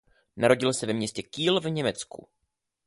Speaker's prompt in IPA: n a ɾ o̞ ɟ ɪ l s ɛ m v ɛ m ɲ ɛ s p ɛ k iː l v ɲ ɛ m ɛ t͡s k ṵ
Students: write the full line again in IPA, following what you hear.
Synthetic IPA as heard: n a ɾ o̞ ɟ ɪ l s ɛ v ɛ m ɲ ɛ s c ɛ k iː l v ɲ ɛ m ɛ t͡s k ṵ